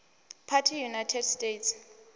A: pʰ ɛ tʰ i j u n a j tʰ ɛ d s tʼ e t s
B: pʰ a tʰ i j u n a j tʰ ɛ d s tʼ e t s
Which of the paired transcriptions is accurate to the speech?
B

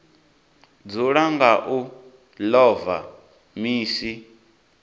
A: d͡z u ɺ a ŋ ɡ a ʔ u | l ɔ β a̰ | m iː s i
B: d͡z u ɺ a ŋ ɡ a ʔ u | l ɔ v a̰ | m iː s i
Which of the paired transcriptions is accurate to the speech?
B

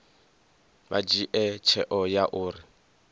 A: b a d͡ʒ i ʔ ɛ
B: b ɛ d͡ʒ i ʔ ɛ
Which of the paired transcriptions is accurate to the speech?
A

